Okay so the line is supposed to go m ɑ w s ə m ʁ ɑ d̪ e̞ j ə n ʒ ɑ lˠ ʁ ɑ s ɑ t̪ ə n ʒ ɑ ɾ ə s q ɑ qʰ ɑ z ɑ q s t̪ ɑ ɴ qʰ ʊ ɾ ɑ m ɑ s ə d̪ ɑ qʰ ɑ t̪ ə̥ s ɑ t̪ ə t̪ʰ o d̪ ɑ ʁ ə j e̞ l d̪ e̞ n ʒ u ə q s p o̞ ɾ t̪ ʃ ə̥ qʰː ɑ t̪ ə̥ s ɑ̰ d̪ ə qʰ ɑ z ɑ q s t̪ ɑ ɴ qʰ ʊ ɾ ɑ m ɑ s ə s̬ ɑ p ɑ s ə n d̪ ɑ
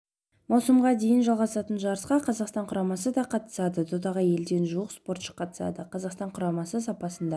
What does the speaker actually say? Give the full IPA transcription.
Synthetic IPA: m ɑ w s ə m ʁ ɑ d̪ e̞ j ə n ʒ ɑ lˠ ʁ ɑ s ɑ t̪ ə n ʒ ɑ ɾ ə s q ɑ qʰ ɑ z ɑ q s t̪ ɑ ɴ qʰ ʊ ɾ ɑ m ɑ s ə d̪ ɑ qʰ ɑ t̪ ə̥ s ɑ d̪ ə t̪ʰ o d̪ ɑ ʁ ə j e̞ l d̪ e̞ n ʒ u ə q s p o̞ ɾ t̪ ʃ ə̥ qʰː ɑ t̪ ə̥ s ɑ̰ d̪ ə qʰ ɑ z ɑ q s t̪ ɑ ɴ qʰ ʊ ɾ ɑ m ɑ s ə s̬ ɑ p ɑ s ə n d̪ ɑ